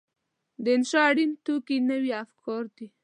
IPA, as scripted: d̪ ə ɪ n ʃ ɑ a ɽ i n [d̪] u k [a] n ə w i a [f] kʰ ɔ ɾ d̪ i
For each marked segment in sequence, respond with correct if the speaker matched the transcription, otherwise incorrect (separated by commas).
incorrect, incorrect, correct